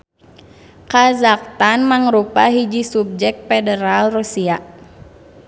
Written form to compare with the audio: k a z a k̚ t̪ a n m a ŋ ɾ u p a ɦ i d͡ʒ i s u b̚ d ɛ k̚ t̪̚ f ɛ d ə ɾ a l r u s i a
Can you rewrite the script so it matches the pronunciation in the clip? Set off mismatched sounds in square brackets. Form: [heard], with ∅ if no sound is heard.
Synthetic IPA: k a z a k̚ t̪ a n m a ŋ ɾ u p a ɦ i d͡ʒ i s u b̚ [d͡ʒ] ɛ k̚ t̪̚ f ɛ d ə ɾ a l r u s i a